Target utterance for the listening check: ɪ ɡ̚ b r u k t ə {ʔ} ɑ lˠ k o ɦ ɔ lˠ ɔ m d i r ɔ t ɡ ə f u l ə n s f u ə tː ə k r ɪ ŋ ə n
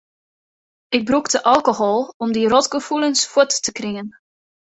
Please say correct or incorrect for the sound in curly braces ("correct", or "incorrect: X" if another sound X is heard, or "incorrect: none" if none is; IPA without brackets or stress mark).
correct